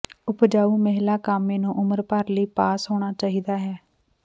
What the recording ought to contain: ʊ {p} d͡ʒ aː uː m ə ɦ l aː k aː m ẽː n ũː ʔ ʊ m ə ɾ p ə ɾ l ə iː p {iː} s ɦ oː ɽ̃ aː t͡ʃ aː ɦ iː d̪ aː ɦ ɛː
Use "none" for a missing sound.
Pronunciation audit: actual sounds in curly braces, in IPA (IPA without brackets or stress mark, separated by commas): p, aː